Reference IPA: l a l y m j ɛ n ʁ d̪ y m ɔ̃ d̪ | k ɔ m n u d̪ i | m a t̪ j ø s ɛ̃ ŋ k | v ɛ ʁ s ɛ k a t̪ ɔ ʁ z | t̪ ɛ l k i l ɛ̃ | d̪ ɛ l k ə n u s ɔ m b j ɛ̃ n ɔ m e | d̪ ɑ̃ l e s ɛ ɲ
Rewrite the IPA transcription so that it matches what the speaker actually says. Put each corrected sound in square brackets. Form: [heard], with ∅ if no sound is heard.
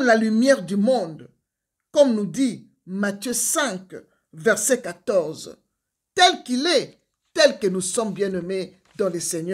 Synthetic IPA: l a l y m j ɛ [∅] ʁ d̪ y m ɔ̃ d̪ | k ɔ m n u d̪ i | m a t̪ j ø s ɛ̃ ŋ k | v ɛ ʁ s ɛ k a t̪ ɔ ʁ z | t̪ ɛ l k i l [ɛ] | [t̪] ɛ l k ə n u s ɔ m b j ɛ̃ n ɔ m e | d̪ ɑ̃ l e s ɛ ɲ